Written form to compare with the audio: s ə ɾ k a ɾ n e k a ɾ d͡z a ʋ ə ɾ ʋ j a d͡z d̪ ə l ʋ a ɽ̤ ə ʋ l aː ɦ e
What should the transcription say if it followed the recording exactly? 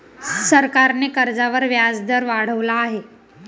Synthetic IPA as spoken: s ə ɾ k a ɾ n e k ə ɾ d͡z a ʋ ə ɾ ʋ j a d͡z d̪ ə ɾ ʋ a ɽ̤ ə ʋ l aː ɦ e